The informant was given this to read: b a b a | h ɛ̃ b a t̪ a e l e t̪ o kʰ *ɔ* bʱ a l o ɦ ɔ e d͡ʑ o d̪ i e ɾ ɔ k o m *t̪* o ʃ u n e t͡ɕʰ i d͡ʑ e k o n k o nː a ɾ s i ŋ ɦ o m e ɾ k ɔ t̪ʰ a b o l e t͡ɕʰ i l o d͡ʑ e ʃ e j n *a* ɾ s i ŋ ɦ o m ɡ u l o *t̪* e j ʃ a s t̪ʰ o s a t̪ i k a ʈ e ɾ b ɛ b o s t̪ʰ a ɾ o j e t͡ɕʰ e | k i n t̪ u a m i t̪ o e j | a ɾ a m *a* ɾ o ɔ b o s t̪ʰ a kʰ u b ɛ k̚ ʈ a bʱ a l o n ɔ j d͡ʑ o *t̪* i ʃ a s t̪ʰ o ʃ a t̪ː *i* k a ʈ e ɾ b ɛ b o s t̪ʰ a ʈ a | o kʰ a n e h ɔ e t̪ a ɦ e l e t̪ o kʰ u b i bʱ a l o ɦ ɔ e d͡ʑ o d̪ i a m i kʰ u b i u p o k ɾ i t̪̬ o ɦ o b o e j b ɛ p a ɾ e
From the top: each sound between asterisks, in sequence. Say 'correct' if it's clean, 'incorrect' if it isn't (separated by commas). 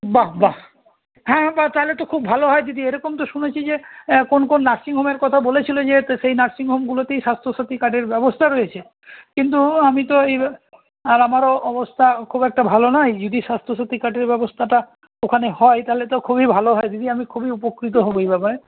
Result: incorrect, correct, correct, correct, correct, incorrect, correct